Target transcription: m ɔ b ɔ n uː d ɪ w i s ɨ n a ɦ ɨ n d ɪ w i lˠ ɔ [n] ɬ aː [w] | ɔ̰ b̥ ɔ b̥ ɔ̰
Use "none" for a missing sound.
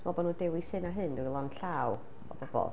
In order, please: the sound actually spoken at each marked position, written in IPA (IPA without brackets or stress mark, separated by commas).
n, w